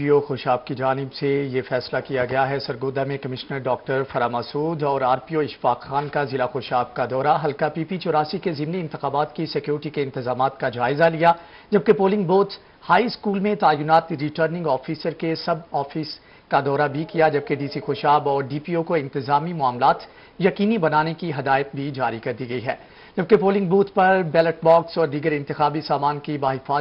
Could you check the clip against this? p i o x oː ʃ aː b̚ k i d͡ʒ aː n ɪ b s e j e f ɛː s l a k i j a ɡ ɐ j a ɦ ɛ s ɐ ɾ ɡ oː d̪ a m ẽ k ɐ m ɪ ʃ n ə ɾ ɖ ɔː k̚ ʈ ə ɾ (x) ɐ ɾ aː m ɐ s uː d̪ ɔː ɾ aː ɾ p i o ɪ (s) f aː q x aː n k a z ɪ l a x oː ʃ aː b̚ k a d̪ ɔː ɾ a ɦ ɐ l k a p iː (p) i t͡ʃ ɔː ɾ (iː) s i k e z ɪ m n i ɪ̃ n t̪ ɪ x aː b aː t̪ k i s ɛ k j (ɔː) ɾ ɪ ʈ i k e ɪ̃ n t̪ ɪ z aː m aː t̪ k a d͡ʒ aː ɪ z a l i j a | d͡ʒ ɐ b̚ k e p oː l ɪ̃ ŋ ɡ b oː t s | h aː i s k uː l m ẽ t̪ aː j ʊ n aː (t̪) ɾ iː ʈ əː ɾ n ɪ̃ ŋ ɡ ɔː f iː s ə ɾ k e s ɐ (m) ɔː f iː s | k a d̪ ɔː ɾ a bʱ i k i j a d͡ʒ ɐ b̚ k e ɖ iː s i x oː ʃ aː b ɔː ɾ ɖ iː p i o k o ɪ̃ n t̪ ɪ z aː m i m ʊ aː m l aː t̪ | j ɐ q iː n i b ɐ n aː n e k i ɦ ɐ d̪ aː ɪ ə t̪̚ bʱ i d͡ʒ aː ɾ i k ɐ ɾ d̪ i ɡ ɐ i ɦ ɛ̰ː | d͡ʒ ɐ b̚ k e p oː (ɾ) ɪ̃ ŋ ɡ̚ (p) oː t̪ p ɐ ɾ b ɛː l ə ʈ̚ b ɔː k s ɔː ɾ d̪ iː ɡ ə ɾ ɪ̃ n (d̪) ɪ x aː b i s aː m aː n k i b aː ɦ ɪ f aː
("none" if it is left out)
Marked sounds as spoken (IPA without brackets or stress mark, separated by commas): f, ʃ, p, aː, uː, t̪, b, l, b, t̪